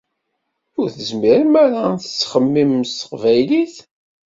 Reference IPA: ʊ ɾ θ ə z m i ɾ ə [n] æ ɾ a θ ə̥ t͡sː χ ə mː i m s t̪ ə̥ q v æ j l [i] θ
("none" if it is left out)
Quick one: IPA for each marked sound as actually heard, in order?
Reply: m, i

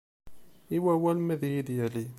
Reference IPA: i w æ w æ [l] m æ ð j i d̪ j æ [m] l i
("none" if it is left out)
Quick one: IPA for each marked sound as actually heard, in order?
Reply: l, none

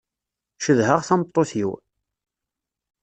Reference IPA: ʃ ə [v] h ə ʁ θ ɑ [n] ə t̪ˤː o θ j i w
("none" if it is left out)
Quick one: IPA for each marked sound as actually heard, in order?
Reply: ð, m

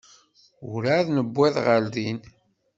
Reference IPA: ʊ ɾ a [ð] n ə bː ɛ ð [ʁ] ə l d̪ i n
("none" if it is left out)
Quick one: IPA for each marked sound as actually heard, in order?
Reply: ð, ʁ

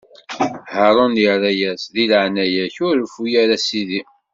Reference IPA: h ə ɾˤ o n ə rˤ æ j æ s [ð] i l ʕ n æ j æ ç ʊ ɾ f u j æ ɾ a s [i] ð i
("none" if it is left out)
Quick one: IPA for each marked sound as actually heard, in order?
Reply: ð, i

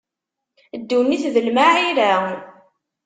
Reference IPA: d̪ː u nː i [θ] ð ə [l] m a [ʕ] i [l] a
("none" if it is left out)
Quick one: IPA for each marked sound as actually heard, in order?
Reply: θ, l, ʕ, ɾ

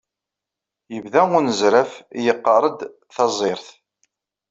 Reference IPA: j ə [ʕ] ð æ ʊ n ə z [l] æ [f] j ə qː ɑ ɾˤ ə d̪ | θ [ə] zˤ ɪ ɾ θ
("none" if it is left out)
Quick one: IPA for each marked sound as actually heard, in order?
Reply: v, ɾ, f, ɑ

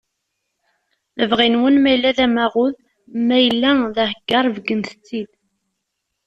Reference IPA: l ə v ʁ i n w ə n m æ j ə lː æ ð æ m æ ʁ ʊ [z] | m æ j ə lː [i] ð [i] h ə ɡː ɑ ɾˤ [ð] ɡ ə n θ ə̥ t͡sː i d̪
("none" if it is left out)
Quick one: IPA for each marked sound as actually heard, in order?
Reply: ð, æ, æ, v

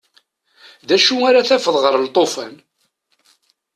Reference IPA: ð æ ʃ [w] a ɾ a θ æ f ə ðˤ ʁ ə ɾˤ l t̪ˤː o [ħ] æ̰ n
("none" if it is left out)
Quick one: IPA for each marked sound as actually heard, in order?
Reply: u, f

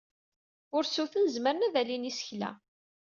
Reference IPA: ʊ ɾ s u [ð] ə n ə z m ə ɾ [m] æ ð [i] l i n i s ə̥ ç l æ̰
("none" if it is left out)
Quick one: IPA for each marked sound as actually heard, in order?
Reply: θ, n, æ

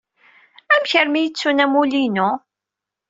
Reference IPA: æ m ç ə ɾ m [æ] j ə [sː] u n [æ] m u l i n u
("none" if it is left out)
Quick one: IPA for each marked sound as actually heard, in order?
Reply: i, t͡sː, æ

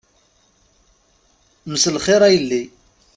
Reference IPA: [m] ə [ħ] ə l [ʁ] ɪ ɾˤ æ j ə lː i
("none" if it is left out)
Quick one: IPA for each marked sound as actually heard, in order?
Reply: m, s, χ

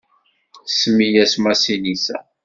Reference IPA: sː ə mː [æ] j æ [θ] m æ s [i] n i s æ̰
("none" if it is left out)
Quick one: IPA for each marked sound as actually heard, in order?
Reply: i, s, i

